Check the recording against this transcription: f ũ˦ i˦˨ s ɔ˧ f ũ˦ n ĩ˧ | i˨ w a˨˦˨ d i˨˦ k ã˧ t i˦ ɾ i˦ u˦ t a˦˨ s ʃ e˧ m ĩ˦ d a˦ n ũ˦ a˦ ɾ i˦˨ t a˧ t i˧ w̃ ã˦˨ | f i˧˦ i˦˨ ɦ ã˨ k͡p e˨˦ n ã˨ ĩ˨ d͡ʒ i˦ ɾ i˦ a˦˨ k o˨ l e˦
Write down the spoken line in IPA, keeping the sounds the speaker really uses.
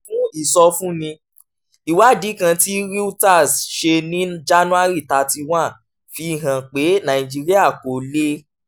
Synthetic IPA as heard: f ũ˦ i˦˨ s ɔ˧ f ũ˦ n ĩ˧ | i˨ w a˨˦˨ d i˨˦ k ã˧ t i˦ ɾ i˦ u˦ t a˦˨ s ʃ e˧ n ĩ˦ d͡ʒ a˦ n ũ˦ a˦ ɾ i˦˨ t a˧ t i˧ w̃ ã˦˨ | f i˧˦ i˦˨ ɦ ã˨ k͡p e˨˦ n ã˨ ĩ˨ d͡ʒ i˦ ɾ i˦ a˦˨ k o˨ l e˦